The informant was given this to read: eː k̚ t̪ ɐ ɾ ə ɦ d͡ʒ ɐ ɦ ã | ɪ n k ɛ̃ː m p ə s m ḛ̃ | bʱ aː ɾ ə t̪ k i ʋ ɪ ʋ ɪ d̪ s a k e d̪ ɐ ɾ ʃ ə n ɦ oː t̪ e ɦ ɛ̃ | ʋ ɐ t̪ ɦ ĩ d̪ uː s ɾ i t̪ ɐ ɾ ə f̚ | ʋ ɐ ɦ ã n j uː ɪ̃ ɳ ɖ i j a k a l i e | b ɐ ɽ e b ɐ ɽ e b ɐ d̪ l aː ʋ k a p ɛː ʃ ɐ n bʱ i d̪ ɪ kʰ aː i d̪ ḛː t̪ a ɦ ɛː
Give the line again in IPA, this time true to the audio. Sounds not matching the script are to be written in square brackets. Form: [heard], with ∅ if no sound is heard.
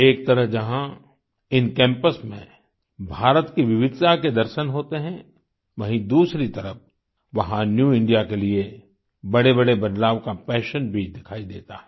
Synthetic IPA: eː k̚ t̪ ɐ ɾ ə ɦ d͡ʒ ɐ ɦ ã | ɪ n k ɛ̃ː m p ə s m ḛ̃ | bʱ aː ɾ ə t̪ k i ʋ ɪ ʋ ɪ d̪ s a k e d̪ ɐ ɾ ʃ ə n ɦ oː t̪ e ɦ ɛ̃ | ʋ ɐ [∅] ɦ ĩ d̪ uː s ɾ i t̪ ɐ ɾ ə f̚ | ʋ ɐ ɦ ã n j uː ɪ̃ ɳ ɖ i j a k [e] l i e | b ɐ ɽ e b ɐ ɽ e b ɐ d̪ l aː ʋ k a p ɛː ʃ [ə] n bʱ i d̪ ɪ kʰ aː i d̪ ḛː t̪ a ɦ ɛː